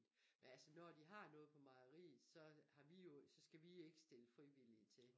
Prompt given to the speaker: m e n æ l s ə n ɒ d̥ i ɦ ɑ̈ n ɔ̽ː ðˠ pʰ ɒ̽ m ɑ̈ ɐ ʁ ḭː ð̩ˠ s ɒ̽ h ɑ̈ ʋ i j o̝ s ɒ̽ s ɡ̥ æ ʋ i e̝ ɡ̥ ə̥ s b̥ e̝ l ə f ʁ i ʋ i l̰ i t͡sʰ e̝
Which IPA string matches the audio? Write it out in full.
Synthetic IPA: m e n æ l s ə n ɒ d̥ i ɦ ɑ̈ n ɔ̽ː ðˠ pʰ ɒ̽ m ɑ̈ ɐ ʁ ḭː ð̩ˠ s ɒ̽ h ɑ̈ ʋ i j o̝ s ɒ̽ s ɡ̥ æ ʋ i e̝ ɡ̥ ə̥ s d̥ e̝ l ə f ʁ i ʋ i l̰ i t͡sʰ e̝

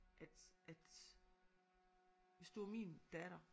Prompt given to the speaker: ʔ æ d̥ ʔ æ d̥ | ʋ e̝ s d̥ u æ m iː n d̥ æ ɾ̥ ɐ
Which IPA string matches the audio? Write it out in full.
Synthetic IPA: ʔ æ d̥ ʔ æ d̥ | ʋ e̝ s d̥ u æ m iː n d̥ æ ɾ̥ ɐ

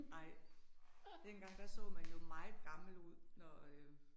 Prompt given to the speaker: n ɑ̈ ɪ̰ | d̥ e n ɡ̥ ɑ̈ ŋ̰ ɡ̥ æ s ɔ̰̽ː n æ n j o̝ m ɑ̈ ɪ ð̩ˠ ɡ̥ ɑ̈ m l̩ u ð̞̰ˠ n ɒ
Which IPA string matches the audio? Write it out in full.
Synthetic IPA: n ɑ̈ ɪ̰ | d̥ e n ɡ̥ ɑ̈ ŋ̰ d̥ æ s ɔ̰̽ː m æ n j o̝ m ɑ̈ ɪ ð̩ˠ ɡ̥ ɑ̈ m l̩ u ð̞̰ˠ n ɒ

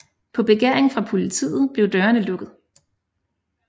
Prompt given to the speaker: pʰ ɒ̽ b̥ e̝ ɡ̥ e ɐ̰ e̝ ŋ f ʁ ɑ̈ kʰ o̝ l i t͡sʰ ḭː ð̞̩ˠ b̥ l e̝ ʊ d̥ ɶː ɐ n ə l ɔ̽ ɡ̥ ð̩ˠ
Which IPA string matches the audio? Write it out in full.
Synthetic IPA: pʰ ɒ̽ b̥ e̝ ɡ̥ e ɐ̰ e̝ ŋ f ʁ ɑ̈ pʰ o̝ l i t͡sʰ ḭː ð̞̩ˠ b̥ l e̝ ʊ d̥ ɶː ɐ n ə l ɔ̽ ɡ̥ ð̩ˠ

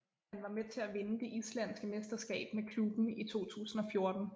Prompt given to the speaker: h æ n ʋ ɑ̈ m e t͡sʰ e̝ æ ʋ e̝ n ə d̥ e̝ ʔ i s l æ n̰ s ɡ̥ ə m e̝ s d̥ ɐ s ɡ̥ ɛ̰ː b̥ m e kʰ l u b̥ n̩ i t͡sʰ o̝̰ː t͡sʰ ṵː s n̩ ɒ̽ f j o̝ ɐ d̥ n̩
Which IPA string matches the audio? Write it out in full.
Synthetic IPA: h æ n ʋ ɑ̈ m e t͡sʰ e̝ æ ʋ e̝ n ə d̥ e̝ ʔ i s l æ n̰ s ɡ̥ ə m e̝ s d̥ ɐ s ɡ̥ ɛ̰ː b̥ m e kʰ l u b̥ n̩ i t͡sʰ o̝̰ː t͡sʰ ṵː s n̩ ɒ̽ f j o̝ ɐ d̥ n̩

